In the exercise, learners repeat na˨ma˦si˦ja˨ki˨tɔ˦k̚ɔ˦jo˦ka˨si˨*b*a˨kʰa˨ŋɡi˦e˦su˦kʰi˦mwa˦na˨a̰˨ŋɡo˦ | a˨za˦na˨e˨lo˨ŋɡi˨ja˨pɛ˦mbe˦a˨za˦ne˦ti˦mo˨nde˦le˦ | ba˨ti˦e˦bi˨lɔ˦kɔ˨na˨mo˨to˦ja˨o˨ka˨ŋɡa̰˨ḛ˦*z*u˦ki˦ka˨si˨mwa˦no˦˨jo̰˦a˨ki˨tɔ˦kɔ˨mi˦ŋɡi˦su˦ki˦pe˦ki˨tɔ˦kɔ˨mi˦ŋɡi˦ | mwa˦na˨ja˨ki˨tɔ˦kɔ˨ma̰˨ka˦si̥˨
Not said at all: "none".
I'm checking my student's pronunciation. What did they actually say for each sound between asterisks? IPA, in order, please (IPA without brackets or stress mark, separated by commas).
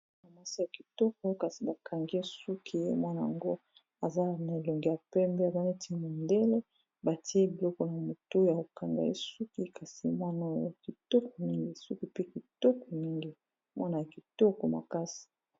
b, s